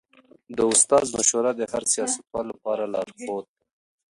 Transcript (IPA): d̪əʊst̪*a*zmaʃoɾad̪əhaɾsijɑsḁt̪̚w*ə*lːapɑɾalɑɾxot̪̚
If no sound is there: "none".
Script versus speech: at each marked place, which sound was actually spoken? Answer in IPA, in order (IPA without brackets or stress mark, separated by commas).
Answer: ɑ, ɑ